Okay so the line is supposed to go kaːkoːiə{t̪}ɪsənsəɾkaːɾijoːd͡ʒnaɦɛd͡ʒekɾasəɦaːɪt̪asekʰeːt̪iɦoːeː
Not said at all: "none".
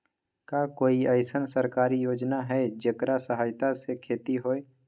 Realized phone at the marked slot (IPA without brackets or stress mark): none